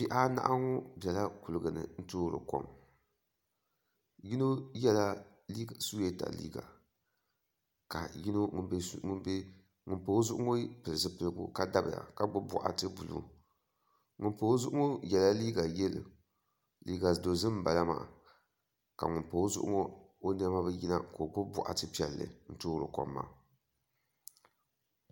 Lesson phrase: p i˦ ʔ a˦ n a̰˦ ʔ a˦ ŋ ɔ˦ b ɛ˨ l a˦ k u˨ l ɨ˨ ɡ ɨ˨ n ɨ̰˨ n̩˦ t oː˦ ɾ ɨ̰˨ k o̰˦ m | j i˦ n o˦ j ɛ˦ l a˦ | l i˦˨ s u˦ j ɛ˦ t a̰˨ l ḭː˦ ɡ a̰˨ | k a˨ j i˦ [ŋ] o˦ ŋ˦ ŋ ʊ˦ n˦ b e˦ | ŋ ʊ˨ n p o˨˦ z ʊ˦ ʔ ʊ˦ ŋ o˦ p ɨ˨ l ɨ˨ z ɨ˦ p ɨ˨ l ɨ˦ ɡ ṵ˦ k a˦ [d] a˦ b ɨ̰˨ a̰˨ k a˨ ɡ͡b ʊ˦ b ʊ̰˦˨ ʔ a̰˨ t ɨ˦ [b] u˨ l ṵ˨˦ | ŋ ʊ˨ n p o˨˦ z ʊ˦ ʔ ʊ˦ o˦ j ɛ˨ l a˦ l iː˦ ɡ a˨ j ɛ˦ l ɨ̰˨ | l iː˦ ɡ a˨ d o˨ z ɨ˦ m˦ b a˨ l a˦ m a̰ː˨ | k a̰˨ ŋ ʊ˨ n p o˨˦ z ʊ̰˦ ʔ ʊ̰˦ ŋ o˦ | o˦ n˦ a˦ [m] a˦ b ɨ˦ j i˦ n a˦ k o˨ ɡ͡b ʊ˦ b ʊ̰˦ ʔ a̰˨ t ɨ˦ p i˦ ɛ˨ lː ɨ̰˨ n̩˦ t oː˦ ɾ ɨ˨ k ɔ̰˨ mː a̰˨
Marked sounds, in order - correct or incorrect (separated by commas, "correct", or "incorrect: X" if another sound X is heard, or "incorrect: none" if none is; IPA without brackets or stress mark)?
incorrect: n, correct, correct, correct